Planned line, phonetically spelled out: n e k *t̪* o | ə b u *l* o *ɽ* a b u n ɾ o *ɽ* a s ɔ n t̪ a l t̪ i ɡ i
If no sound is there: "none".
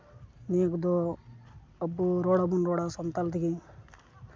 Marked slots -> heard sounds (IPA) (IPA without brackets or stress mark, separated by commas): d̪, ɾ, ɽ, ɽ